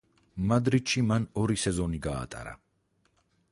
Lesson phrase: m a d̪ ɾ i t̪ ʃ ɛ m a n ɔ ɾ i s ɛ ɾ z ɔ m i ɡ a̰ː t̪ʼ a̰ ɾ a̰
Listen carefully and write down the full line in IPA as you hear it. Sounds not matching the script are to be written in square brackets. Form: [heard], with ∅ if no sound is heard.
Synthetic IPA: m a d̪ ɾ i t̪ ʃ [i] m a n ɔ ɾ i s ɛ [∅] z ɔ [n] i ɡ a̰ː t̪ʼ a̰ ɾ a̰